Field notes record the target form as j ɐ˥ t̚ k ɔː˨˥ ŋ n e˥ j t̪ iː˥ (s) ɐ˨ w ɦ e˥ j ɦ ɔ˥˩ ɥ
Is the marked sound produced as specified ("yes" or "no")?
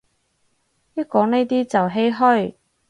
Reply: no